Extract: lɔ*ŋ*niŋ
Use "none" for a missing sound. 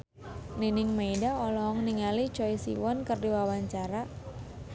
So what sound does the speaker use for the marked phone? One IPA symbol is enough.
ŋ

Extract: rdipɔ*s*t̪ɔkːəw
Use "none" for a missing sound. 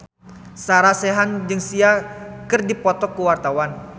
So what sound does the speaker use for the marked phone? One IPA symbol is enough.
none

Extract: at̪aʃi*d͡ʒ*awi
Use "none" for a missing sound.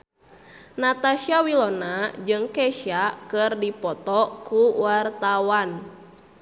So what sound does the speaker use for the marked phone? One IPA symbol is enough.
none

